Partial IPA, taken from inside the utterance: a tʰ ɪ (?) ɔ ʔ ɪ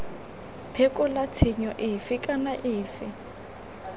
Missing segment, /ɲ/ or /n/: ɲ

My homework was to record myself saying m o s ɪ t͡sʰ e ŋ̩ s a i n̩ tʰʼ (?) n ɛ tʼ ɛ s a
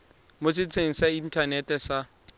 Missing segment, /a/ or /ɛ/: a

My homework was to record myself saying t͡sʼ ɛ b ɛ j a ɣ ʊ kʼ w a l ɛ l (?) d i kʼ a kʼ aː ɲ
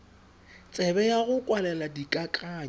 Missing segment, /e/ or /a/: a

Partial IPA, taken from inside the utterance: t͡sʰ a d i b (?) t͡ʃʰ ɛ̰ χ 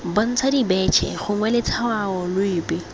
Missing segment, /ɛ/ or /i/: ɛ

